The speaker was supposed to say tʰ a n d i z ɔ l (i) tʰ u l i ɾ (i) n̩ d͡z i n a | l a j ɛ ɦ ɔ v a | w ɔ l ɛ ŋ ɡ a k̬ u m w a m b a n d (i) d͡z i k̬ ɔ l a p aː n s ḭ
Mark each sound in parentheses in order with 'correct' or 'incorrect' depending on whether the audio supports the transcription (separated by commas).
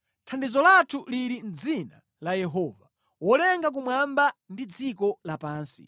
incorrect, correct, correct